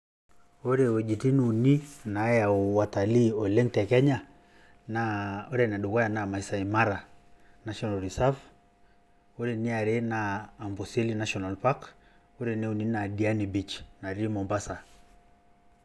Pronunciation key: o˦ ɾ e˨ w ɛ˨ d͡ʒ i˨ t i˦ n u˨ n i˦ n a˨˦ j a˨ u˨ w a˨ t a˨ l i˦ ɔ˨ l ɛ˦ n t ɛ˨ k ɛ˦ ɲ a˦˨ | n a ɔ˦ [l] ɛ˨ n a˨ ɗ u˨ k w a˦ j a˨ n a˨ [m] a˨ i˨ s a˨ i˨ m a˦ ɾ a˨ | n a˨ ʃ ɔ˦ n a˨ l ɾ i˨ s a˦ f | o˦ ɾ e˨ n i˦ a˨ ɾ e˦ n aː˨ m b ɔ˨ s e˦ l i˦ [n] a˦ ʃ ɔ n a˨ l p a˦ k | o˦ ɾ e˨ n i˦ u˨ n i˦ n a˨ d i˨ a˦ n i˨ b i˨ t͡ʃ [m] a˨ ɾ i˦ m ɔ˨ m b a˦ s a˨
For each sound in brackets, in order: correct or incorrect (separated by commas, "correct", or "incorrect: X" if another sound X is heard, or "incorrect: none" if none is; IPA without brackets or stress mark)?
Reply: incorrect: ɾ, correct, correct, incorrect: n